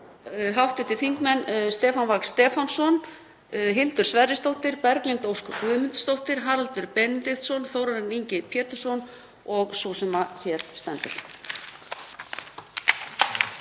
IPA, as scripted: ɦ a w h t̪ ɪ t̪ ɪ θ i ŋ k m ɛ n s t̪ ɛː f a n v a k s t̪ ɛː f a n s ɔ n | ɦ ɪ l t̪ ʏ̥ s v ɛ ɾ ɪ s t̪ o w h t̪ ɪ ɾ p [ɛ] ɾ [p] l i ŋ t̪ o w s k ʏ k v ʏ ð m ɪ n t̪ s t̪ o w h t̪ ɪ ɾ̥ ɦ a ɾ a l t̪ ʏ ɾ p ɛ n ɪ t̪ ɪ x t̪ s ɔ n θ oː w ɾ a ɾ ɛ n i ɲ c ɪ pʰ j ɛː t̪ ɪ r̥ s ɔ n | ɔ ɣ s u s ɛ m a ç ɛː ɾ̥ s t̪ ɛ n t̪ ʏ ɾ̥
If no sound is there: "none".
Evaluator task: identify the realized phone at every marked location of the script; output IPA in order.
ɛ, k

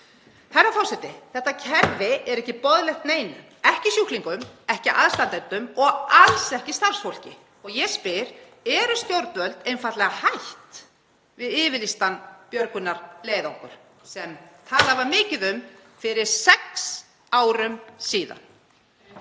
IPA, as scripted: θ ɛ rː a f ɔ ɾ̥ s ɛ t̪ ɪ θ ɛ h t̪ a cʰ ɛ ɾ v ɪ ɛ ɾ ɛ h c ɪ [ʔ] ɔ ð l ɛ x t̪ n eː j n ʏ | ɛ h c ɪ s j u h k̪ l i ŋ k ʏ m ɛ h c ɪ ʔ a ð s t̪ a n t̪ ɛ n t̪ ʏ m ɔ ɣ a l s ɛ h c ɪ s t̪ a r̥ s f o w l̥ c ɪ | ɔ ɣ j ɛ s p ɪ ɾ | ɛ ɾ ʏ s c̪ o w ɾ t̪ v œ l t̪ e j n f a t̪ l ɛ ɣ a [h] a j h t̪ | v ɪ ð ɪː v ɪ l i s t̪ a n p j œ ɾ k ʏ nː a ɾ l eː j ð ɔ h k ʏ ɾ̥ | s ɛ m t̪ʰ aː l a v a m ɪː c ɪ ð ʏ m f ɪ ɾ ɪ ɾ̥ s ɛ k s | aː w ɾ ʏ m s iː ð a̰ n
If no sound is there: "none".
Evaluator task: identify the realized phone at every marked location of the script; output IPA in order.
p, h

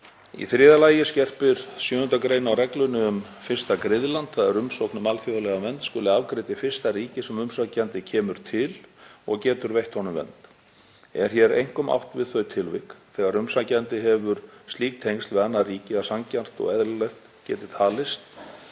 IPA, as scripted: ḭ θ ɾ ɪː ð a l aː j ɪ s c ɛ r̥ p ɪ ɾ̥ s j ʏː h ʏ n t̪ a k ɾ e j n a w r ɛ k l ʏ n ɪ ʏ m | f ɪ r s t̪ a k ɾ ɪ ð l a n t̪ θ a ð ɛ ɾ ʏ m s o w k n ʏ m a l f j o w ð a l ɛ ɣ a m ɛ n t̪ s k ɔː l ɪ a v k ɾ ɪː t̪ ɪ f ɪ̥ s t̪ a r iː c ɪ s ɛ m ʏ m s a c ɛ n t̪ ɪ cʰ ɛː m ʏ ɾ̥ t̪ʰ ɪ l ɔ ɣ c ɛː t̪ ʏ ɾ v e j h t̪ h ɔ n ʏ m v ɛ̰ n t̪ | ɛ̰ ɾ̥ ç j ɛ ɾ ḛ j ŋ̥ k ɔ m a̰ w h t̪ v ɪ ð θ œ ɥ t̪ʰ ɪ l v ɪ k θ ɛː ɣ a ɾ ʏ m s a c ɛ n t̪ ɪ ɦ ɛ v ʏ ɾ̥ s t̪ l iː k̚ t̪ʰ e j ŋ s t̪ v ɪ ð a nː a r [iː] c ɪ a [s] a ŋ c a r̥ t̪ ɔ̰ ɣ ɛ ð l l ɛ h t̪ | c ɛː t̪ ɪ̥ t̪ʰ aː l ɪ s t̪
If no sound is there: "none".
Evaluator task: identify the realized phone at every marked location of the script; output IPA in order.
iː, s

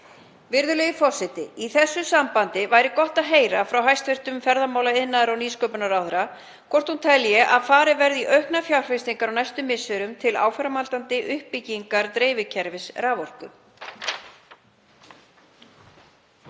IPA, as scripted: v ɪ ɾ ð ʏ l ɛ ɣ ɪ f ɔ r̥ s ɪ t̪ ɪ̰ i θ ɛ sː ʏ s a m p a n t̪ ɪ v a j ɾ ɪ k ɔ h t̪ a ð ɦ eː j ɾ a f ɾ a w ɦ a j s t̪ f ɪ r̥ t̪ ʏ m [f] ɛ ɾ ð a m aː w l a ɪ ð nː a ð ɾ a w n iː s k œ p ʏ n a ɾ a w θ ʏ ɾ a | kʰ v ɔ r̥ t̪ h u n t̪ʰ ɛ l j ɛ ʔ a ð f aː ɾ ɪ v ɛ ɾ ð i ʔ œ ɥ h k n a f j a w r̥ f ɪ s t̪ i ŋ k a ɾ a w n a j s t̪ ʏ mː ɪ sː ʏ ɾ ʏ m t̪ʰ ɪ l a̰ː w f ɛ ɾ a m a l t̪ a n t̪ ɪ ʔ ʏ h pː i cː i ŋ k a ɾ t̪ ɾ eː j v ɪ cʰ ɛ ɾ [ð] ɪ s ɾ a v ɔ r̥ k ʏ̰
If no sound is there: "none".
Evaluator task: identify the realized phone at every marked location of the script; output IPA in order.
f, v

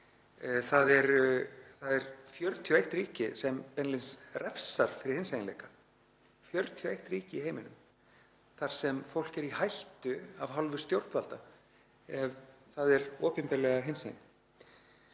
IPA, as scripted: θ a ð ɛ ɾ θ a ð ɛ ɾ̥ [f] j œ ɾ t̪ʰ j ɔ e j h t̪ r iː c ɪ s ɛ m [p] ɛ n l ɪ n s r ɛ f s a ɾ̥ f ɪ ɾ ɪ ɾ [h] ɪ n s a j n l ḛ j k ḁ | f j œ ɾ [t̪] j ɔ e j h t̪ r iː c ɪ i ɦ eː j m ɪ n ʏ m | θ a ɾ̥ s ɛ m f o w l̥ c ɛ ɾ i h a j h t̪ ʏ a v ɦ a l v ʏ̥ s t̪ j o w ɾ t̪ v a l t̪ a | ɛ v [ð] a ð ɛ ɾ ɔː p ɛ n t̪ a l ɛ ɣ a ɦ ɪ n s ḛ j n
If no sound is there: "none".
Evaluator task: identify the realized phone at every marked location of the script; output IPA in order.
f, p, h, t̪ʰ, θ

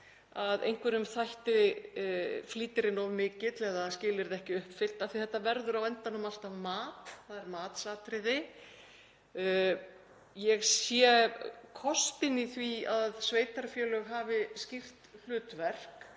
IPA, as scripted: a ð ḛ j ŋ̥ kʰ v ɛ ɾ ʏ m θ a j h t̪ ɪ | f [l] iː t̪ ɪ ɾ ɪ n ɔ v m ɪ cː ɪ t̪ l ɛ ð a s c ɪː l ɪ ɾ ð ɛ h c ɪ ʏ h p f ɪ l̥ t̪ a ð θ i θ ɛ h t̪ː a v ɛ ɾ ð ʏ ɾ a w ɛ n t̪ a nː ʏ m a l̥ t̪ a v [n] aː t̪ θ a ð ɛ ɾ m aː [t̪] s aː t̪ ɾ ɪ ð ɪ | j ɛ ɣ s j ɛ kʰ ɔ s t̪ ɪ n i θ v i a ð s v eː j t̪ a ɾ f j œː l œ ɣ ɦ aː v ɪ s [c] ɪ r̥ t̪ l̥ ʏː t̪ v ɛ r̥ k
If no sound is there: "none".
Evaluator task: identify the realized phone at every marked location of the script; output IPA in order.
l, m, t̪, c

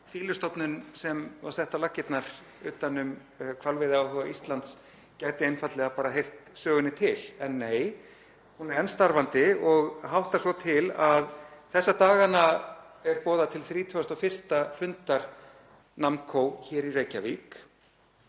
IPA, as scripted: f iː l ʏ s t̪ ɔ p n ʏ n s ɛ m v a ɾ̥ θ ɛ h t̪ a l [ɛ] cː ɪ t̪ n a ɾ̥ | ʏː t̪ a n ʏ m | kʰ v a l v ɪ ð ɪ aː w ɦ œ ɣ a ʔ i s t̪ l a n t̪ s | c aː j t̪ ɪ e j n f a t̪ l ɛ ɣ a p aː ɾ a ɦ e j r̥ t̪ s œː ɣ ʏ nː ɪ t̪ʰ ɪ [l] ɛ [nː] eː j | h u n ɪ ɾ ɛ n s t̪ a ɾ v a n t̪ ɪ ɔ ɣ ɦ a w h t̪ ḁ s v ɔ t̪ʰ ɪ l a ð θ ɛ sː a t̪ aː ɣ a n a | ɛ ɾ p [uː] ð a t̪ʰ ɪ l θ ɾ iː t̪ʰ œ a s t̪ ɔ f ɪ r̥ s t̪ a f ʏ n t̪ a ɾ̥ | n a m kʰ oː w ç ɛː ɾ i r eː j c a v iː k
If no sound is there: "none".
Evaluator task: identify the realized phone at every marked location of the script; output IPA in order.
a, l, nː, ɔː

